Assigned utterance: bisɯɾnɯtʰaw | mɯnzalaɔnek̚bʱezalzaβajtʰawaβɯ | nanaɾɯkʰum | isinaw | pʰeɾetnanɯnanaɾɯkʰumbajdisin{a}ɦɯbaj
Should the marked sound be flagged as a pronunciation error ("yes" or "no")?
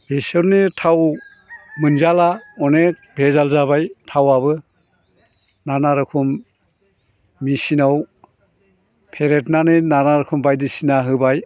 no